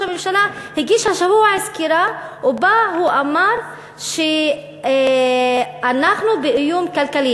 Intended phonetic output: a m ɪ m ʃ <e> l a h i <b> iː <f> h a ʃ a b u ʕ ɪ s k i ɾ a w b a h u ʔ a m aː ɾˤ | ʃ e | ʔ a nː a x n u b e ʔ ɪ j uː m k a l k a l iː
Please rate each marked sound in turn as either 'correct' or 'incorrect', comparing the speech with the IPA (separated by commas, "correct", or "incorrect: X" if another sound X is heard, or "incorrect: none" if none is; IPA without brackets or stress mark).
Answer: incorrect: a, incorrect: ɡ, incorrect: ʃ